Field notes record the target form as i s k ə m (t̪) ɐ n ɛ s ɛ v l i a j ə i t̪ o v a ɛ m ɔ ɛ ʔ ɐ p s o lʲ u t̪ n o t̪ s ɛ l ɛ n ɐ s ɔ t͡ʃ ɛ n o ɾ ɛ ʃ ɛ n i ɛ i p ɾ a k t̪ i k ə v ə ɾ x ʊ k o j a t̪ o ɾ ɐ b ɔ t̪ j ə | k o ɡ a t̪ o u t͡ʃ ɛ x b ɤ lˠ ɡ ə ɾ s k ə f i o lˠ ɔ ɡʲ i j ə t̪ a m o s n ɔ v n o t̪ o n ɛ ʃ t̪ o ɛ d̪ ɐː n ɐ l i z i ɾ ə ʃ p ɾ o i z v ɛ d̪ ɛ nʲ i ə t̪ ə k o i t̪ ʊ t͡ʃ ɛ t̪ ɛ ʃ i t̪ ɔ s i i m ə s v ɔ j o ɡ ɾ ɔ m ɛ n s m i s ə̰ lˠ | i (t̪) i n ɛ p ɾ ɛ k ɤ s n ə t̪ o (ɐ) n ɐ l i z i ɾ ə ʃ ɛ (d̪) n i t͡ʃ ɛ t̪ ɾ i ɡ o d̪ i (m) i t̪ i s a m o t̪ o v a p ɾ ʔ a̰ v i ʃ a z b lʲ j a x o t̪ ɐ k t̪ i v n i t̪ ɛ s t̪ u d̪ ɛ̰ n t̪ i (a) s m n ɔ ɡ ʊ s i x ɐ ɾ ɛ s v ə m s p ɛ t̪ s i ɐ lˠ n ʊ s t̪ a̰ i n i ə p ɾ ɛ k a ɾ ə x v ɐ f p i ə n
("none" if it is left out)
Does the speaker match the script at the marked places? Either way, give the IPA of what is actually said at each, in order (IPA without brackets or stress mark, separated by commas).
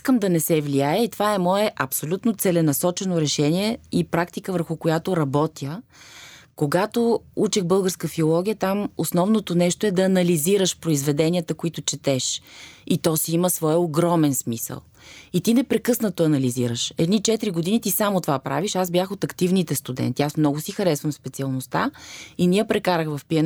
d̪, t̪, ɐ, d̪, n, a